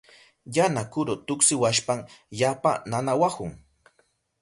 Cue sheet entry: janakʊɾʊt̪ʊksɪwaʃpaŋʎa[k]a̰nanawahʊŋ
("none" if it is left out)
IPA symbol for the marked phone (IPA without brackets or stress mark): p